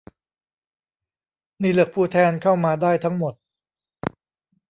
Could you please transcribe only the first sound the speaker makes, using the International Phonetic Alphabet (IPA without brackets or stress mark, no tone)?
n